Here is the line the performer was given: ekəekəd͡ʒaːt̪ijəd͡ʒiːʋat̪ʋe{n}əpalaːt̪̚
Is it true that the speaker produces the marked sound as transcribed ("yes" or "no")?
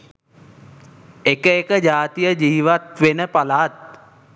yes